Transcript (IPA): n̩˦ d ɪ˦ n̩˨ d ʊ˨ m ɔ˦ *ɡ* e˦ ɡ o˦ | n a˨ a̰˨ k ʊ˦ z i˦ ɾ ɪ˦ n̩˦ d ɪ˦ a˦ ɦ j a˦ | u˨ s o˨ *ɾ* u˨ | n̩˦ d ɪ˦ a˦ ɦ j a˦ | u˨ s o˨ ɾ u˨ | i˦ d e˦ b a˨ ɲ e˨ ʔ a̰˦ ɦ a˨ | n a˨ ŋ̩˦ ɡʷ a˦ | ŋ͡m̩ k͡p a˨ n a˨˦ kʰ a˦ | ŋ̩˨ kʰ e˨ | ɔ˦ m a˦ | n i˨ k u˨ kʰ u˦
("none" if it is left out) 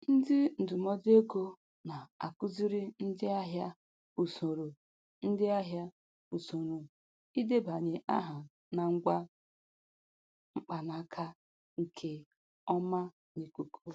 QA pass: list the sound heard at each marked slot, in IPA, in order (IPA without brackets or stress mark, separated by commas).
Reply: d, ɾ